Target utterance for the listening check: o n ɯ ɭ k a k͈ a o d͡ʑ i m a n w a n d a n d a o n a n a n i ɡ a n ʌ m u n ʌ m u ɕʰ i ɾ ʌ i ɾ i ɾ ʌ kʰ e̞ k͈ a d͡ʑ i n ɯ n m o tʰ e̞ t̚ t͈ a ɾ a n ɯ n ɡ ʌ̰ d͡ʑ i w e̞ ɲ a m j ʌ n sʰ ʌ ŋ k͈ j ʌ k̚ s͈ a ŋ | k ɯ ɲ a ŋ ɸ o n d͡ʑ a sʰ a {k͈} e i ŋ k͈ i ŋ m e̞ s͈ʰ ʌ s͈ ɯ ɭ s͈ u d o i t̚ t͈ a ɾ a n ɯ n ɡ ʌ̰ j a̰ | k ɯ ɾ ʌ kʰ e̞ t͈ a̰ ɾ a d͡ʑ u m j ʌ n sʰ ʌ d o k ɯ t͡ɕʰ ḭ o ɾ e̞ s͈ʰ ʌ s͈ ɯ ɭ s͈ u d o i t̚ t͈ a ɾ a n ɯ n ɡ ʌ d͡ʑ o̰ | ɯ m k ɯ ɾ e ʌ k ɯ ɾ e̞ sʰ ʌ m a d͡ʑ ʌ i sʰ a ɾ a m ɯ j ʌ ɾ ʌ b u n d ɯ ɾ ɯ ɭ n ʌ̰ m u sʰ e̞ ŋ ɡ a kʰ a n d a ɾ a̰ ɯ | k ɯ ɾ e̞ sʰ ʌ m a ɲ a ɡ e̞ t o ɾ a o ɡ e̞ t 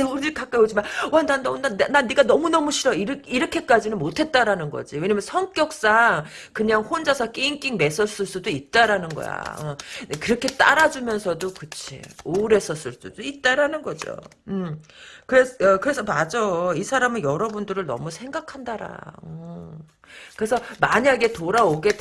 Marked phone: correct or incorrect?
correct